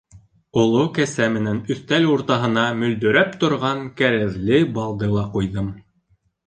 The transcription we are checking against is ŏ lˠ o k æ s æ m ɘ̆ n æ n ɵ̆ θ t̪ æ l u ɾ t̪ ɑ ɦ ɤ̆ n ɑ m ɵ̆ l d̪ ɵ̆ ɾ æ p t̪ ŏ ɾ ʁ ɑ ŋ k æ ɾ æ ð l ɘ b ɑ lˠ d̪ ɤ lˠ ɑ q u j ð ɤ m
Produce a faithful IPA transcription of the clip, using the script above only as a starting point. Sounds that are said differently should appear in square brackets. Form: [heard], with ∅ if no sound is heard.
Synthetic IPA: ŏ lˠ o k æ s æ m ɘ̆ n æ n ɵ̆ θ t̪ æ l u ɾ t̪ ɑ ɦ ɤ̆ n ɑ m ɵ̆ l d̪ ɵ̆ ɾ æ p t̪ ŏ ɾ ʁ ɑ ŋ k æ ɾ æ ð l ɘ b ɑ lˠ d̪ ɤ lˠ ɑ q u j ð ɤ m